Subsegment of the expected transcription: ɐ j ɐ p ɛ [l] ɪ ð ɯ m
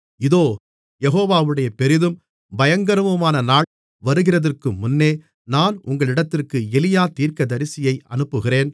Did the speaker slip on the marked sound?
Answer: yes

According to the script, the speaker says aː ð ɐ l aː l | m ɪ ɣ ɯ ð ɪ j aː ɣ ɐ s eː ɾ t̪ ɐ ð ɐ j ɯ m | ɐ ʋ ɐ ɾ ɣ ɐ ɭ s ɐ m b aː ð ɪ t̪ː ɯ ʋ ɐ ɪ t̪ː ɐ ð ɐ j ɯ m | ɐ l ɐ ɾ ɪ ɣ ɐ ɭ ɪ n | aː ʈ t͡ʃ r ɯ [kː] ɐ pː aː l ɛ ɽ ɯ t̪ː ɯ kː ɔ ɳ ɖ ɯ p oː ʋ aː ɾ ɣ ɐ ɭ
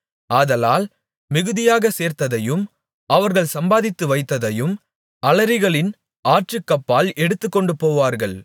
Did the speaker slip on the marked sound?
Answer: no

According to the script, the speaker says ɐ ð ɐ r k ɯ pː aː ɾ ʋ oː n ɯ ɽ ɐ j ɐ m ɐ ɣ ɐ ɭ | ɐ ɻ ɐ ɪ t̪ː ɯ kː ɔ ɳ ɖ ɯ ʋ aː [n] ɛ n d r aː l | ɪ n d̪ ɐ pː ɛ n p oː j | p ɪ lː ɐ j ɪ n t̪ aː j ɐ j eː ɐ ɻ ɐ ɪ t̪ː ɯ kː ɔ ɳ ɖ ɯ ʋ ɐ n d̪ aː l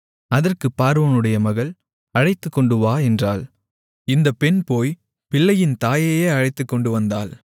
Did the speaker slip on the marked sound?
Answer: yes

